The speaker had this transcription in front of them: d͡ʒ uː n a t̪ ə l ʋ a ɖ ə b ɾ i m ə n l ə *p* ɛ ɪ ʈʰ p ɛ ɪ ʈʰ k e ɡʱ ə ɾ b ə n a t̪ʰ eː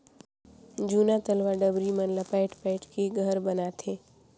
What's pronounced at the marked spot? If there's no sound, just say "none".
p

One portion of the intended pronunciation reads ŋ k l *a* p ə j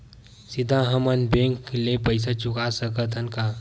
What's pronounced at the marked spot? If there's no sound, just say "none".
e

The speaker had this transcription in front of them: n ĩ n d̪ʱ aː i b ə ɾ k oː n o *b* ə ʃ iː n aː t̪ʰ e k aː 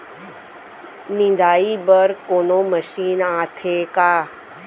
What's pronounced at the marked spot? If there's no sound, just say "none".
m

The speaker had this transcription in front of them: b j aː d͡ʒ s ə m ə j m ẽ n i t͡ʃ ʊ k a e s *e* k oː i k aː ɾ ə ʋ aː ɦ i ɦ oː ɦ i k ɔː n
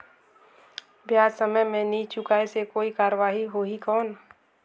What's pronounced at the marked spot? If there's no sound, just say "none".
e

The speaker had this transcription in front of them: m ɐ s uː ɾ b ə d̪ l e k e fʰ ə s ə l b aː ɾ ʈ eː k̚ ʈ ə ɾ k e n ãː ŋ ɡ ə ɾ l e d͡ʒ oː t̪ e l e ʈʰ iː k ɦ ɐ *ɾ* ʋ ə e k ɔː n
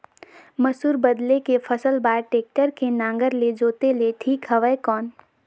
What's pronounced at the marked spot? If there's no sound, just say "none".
none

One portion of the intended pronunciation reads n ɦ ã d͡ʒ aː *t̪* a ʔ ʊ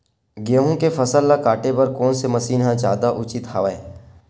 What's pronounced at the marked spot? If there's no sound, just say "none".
d̪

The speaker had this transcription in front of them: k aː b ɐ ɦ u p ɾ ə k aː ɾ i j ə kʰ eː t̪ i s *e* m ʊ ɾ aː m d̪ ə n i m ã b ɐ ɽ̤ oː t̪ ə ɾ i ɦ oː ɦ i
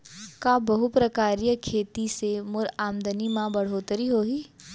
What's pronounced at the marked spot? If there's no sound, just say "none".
e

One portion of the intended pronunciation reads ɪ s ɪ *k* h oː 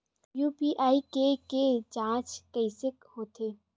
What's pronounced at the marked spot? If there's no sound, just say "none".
k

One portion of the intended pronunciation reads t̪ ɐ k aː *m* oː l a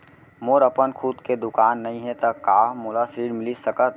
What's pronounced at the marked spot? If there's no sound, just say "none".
m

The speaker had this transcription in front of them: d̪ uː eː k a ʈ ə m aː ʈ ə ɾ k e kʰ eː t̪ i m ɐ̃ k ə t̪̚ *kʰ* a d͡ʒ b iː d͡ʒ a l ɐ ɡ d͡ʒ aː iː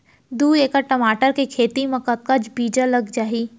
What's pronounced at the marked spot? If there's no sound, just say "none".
k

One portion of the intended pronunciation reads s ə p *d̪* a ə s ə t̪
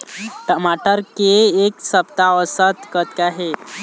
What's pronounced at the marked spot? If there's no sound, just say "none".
t̪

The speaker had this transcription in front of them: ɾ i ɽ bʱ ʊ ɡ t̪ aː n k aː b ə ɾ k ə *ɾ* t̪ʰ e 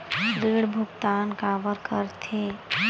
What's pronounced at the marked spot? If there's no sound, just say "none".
ɾ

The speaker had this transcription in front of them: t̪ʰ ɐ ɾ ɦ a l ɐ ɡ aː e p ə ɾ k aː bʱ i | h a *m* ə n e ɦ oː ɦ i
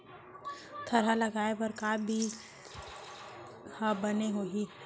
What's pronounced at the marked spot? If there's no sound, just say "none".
b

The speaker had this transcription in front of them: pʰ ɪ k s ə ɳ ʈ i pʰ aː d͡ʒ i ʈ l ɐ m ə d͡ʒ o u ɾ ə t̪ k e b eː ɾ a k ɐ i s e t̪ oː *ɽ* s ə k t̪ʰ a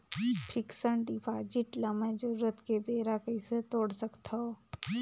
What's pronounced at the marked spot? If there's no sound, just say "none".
ɽ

